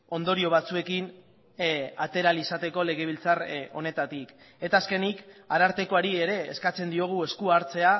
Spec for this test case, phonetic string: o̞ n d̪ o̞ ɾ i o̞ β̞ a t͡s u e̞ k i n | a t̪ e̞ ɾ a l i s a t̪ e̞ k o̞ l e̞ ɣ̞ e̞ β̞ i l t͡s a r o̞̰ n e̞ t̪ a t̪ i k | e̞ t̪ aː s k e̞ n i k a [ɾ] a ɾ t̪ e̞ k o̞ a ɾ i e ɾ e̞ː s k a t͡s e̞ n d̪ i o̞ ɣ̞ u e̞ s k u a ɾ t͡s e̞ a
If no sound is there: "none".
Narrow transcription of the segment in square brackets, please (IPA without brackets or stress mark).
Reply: ɾ